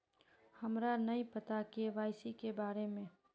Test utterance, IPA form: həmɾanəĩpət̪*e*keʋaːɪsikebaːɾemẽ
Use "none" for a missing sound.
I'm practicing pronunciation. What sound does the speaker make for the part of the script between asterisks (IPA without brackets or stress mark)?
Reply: a